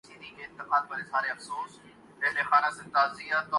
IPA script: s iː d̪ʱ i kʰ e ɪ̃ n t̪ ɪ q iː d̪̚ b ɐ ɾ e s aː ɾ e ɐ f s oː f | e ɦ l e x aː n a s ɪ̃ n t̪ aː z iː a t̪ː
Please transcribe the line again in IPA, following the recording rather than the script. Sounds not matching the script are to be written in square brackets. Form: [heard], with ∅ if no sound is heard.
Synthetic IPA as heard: s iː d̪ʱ i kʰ e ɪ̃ n t̪ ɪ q [aː] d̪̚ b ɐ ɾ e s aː ɾ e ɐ f s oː [s] | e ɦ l e x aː n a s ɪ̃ n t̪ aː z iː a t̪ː